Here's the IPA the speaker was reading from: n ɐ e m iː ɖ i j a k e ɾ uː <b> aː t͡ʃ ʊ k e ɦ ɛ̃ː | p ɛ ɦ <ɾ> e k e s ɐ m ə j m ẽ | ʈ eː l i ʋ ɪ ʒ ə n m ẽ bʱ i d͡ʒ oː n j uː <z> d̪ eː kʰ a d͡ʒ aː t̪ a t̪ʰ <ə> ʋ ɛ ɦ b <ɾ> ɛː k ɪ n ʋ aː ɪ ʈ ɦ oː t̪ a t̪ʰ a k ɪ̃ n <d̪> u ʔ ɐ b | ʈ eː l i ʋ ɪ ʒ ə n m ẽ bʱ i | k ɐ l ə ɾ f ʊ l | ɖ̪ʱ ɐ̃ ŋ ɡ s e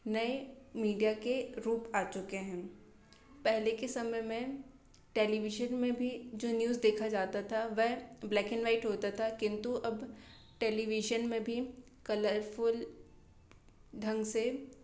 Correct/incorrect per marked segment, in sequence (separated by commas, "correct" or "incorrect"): incorrect, incorrect, correct, incorrect, incorrect, incorrect